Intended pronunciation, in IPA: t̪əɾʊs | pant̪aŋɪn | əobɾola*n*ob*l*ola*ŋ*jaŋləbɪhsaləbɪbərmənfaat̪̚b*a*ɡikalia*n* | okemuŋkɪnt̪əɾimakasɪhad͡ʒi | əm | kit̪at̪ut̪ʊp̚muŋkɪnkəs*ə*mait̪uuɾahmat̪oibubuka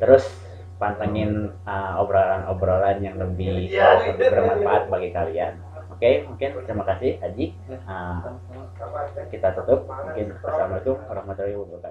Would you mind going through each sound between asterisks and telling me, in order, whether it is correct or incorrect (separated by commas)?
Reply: correct, incorrect, incorrect, correct, correct, incorrect